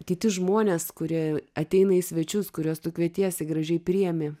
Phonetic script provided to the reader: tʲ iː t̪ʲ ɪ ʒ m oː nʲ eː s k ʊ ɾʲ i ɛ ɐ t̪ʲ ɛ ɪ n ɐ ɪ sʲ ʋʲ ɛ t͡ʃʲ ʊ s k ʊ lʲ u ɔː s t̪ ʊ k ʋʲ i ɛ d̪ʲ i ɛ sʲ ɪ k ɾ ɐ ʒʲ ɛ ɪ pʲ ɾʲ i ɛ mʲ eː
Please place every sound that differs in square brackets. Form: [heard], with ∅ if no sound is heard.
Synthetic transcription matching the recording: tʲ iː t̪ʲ ɪ ʒ m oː nʲ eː s k ʊ ɾʲ i ɛ ɐ t̪ʲ ɛ ɪ n ɐ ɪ sʲ ʋʲ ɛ t͡ʃʲ ʊ s k ʊ [ɾʲ] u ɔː s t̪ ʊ k ʋʲ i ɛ [t̪ʲ] i ɛ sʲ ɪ [ɡ] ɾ ɐ ʒʲ ɛ ɪ pʲ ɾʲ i ɛ mʲ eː